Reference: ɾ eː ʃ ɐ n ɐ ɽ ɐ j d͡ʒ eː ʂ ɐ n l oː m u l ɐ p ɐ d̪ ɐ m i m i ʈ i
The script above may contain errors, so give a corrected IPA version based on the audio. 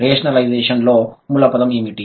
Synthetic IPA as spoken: ɾ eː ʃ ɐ n ɐ l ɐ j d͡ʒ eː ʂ ɐ n l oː m u l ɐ p ɐ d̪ ɐ m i m i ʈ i